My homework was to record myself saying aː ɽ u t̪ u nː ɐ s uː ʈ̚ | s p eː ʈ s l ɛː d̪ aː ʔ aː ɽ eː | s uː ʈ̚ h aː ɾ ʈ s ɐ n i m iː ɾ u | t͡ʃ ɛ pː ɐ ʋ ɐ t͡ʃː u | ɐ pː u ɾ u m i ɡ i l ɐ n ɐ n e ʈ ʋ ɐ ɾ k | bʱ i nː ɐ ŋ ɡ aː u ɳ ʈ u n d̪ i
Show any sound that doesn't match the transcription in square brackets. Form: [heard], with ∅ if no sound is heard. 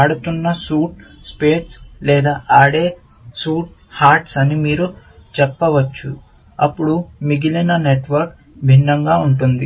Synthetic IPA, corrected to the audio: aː ɽ u t̪ u nː ɐ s uː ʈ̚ | s p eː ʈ s l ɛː d̪ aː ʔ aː ɽ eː | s uː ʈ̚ h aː ɾ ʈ s ɐ n i m iː ɾ u | t͡ʃ ɛ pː ɐ ʋ ɐ t͡ʃː u | ɐ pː u [ɽ] u m i ɡ i l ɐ n ɐ n e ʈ ʋ ɐ ɾ k | bʱ i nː ɐ ŋ ɡ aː u ɳ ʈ u n d̪ i